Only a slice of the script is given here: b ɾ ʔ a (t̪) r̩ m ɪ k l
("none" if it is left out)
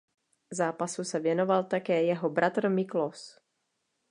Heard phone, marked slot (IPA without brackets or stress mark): t̪